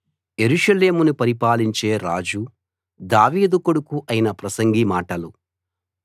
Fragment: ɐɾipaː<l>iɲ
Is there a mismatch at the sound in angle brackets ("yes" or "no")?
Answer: no